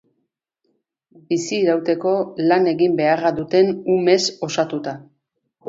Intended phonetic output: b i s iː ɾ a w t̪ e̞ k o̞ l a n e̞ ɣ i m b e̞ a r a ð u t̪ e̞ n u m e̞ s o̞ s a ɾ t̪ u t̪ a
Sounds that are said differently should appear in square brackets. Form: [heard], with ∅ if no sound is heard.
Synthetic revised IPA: b i s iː ɾ a w t̪ e̞ k o̞ l a n e̞ ɣ i m b e̞ a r a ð u t̪ e̞ n u m e̞ s o̞ s a [∅] t̪ u t̪ a